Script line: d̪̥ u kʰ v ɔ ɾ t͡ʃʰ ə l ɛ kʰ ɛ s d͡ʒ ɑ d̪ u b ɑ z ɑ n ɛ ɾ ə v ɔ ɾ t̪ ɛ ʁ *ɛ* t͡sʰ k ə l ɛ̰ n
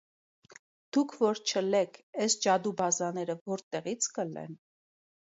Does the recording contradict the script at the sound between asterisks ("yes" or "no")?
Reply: yes